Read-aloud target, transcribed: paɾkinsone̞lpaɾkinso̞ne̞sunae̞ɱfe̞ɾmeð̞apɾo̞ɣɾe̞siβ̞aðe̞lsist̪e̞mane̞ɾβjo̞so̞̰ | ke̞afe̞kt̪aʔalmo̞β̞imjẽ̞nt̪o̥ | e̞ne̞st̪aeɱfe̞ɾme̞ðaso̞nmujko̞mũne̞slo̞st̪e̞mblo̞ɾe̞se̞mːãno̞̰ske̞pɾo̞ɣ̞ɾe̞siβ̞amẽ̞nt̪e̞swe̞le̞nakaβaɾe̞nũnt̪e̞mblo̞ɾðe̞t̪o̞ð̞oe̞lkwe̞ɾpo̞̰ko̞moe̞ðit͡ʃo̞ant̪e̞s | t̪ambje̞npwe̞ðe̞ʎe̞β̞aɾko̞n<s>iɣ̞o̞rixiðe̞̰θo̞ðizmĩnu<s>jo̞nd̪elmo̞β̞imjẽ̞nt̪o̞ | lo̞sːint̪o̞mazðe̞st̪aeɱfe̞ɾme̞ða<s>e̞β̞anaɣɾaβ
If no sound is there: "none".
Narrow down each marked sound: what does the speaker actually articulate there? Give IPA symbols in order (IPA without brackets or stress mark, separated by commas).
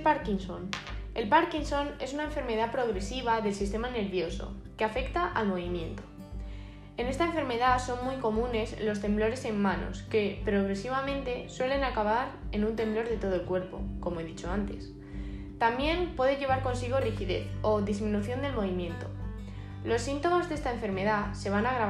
s, θ, s